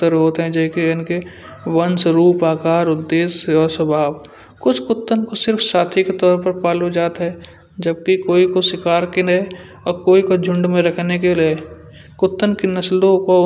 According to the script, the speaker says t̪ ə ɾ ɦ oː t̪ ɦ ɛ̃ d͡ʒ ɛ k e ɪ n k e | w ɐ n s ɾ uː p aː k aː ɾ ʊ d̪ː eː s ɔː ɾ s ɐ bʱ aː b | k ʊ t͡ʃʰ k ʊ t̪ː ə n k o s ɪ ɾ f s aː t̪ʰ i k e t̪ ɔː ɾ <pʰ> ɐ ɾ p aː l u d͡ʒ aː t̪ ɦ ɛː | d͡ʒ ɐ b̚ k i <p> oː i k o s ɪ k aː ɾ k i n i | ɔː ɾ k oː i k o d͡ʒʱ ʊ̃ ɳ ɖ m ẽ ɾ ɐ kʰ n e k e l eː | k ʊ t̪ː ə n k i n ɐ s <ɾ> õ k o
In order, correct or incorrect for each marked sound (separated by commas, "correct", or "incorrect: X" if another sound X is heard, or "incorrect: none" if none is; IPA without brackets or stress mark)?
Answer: incorrect: p, incorrect: k, incorrect: l